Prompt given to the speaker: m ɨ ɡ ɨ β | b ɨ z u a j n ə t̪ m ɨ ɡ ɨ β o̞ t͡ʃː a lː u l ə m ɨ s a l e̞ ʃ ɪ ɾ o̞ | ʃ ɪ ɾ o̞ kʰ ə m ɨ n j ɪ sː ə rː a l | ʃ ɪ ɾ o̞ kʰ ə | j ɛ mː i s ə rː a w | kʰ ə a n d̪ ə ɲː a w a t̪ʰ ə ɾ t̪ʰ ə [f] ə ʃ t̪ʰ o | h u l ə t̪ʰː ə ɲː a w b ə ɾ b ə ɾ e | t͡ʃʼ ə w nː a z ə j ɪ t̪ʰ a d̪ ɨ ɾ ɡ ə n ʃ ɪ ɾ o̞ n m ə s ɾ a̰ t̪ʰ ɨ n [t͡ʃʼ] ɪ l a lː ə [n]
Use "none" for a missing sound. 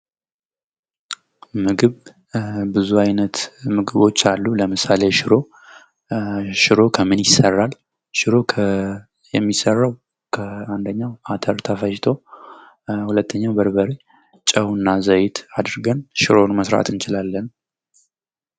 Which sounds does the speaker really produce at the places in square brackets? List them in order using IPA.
f, t͡ʃ, n

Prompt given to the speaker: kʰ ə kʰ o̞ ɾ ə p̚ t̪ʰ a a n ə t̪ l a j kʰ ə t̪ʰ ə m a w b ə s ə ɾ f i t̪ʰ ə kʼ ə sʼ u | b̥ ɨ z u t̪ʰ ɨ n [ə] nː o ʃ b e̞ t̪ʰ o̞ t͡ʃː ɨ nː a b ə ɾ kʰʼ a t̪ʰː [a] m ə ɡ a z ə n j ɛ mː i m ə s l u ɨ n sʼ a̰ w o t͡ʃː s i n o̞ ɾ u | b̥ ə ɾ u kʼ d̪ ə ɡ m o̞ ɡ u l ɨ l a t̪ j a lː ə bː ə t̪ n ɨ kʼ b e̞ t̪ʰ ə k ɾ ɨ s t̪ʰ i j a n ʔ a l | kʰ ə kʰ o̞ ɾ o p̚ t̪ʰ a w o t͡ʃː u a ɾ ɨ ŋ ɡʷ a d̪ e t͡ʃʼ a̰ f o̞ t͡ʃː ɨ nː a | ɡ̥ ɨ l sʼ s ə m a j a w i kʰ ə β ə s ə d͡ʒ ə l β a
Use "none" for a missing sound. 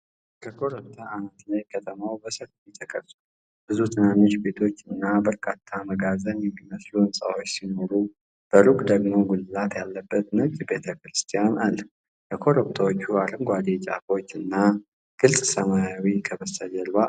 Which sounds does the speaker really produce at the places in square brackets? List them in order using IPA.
a, a

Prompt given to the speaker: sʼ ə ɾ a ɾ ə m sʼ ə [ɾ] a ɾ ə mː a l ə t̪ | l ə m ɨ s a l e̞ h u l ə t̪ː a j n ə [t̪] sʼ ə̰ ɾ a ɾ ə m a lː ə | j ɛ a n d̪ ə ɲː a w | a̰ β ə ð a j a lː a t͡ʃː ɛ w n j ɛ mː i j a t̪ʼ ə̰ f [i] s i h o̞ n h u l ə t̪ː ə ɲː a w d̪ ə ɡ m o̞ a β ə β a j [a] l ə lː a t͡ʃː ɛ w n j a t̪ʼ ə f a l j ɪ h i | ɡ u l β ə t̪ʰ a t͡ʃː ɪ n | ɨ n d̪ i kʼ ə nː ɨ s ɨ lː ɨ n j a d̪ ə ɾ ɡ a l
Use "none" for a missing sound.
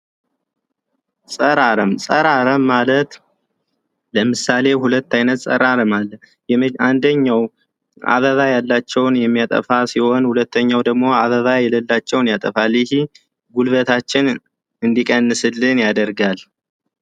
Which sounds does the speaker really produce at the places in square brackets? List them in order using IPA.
ɾ, t̪, a, ɛ

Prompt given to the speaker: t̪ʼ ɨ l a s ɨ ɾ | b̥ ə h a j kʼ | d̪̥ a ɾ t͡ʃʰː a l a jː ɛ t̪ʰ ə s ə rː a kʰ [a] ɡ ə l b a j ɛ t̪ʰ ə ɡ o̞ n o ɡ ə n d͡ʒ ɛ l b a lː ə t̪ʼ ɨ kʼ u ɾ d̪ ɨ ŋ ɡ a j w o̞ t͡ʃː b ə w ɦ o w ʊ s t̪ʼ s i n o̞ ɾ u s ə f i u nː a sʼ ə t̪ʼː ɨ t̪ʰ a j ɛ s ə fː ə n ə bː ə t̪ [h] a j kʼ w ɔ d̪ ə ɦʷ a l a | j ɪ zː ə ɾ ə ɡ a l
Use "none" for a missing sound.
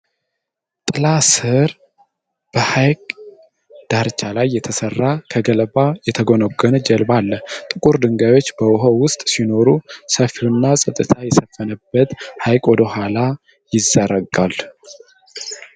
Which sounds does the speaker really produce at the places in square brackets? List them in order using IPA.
ə, h

